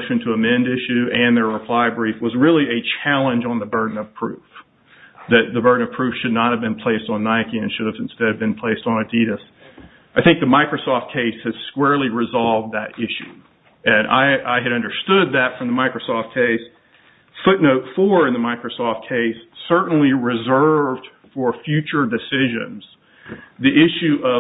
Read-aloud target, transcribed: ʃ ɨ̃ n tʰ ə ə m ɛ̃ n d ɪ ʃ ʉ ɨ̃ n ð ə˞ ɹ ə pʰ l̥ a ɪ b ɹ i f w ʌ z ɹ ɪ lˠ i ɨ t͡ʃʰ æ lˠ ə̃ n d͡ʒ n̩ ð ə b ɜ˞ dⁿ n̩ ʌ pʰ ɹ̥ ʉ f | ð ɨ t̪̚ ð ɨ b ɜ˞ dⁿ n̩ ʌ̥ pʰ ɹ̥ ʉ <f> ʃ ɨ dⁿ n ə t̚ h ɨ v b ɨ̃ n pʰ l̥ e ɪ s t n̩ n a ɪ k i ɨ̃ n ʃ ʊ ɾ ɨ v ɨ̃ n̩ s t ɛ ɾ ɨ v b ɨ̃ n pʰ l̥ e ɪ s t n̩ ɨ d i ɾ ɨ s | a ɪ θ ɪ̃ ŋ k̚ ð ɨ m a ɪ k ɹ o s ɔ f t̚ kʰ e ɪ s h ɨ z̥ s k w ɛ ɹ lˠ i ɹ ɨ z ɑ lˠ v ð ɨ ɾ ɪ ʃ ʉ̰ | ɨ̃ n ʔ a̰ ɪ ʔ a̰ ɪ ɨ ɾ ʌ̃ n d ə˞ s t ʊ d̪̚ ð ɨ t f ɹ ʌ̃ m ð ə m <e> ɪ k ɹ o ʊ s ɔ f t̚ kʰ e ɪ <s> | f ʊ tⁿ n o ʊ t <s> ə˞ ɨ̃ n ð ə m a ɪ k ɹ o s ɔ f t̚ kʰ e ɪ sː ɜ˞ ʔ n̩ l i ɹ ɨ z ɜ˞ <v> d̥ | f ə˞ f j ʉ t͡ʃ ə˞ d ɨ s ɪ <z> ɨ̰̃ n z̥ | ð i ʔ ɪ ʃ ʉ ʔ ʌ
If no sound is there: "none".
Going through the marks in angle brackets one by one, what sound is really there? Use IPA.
f, a, s, f, v, ʒ

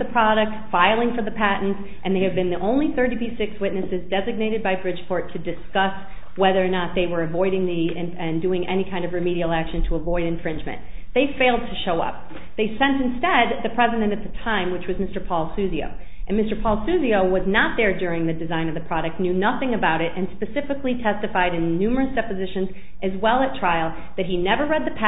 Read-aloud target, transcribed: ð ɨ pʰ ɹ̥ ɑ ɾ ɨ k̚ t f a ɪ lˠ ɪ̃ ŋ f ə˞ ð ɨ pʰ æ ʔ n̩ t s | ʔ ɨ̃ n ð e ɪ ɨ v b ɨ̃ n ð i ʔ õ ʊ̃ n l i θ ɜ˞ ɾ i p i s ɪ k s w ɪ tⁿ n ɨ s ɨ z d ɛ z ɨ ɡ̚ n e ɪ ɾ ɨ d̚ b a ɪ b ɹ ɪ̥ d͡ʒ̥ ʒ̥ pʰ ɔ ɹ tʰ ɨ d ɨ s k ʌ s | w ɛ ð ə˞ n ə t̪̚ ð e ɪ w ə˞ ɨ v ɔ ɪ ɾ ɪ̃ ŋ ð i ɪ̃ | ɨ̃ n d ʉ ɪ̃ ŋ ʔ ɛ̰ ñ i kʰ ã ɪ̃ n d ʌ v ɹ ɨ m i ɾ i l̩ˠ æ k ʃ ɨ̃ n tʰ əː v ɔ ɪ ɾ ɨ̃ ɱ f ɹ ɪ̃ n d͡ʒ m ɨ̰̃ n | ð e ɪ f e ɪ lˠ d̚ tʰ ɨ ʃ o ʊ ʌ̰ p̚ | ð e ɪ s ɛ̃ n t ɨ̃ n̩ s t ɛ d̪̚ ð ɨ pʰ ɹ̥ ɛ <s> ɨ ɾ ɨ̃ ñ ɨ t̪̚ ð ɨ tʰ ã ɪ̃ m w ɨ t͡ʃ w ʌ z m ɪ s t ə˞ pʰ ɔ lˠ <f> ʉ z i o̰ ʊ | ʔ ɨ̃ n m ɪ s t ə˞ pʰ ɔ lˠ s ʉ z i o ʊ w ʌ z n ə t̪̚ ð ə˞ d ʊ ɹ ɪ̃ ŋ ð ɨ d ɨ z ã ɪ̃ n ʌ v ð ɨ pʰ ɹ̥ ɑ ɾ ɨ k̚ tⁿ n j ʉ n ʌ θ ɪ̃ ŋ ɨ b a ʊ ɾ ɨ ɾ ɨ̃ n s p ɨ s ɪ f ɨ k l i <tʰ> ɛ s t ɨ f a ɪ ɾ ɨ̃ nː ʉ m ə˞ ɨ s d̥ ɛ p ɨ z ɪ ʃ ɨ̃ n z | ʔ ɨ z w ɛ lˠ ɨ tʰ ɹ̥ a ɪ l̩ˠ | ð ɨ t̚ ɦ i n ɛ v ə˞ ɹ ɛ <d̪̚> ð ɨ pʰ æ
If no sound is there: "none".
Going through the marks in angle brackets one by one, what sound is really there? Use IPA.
z, s, tʰ, d̪̚

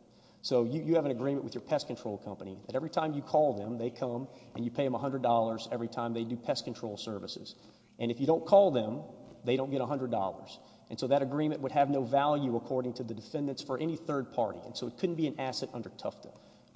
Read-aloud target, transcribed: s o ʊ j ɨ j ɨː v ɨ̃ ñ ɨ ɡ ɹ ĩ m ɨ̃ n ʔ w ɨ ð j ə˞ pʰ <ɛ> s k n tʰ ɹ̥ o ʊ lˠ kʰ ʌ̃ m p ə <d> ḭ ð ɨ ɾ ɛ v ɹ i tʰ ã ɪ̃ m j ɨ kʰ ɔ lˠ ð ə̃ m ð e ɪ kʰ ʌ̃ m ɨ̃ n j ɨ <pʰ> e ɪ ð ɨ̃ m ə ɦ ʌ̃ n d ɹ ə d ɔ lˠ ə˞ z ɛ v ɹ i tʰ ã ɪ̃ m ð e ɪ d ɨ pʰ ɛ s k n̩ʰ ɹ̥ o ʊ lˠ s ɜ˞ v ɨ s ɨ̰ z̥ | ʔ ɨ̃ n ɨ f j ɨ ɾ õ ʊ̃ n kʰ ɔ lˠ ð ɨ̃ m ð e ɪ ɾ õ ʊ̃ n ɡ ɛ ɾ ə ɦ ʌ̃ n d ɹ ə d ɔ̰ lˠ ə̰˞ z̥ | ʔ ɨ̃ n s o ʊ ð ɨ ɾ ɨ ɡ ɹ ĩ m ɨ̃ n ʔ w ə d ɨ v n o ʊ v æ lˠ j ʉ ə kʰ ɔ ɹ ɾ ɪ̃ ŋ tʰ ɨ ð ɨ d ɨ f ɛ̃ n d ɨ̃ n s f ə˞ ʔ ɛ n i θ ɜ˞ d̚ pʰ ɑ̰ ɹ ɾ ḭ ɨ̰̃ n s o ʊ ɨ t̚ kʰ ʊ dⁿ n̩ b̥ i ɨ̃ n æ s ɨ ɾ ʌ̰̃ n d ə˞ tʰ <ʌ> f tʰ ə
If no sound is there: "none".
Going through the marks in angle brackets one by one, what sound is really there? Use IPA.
ɛ, n, pʰ, ʌ

